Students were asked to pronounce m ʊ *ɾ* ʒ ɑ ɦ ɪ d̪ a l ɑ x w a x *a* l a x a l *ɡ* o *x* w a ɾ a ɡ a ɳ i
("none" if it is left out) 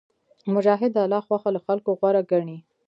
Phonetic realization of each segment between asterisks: none, a, k, ɣ

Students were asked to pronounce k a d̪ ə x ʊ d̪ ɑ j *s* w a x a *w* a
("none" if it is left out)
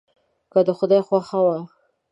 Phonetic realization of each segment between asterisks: x, w

